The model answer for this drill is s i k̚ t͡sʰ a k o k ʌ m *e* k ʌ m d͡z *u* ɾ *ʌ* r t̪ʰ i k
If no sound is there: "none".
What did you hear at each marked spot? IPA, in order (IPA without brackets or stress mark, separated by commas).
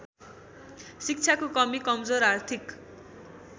i, o, a